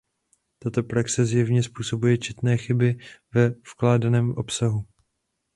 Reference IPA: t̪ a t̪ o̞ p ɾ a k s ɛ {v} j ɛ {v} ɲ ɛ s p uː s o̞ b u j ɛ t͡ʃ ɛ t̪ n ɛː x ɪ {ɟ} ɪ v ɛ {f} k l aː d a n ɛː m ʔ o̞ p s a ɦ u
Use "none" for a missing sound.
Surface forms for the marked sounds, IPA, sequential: z, v, b, f

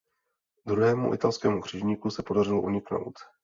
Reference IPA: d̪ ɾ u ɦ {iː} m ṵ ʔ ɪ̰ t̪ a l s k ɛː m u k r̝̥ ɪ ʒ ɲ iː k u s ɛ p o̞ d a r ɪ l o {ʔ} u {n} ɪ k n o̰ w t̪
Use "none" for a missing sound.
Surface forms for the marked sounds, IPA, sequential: ɛː, ʔ, ɲ

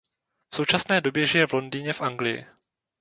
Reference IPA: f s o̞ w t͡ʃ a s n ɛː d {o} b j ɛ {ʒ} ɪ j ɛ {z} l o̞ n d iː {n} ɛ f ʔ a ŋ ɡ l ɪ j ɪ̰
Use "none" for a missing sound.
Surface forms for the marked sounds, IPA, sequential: o, ʒ, v, ɲ

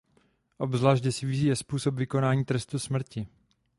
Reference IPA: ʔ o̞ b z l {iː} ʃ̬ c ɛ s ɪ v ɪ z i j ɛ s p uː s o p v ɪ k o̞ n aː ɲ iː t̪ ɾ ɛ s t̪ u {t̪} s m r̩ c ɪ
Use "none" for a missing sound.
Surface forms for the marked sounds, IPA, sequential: aː, none

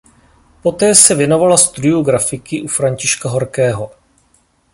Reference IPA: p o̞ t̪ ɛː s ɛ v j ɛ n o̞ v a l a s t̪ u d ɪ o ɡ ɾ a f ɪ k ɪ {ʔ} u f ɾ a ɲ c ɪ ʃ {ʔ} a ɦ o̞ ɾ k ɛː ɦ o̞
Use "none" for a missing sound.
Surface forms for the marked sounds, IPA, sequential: ʔ, k

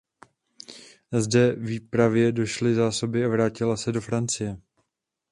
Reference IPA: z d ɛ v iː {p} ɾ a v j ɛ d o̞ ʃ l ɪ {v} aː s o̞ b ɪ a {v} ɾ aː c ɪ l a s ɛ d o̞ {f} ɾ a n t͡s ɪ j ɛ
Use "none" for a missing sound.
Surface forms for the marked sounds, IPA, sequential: p, z, v, f

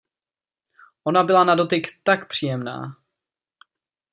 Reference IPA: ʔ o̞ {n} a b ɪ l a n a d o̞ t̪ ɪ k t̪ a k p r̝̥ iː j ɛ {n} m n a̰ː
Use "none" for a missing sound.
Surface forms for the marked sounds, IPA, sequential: n, none

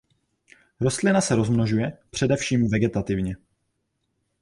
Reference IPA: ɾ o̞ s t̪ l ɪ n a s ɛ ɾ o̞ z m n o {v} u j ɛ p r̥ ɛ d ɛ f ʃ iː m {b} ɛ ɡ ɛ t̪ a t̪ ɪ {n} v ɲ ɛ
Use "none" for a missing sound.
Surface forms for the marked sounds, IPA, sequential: ʒ, v, none

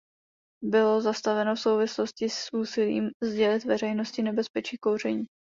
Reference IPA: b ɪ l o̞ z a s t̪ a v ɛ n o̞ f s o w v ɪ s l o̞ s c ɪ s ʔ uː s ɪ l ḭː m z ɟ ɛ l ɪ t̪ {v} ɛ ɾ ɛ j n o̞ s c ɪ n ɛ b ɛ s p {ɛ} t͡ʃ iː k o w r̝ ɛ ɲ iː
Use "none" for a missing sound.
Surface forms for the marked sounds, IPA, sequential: v, ɛ

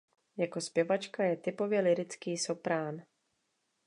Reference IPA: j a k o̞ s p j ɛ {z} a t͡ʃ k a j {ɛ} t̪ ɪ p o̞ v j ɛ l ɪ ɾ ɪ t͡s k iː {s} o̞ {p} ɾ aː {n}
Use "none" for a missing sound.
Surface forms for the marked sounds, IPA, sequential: v, ɛ, s, p, n

